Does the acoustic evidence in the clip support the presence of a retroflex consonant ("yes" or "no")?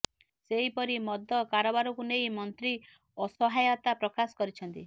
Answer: no